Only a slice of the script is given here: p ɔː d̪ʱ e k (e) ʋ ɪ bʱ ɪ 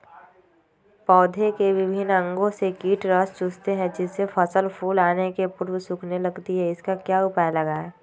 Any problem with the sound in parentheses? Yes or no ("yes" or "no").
no